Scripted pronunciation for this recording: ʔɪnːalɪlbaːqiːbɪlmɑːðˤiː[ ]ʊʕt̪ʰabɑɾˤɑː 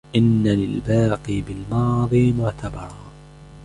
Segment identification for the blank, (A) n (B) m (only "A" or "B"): B